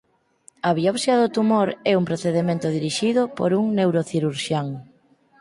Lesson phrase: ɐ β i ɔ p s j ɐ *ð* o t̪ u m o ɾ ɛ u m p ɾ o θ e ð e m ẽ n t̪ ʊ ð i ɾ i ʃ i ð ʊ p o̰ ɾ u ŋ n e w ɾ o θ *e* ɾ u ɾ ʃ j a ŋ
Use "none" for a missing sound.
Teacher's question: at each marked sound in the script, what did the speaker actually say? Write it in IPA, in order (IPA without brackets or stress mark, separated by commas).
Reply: ð, i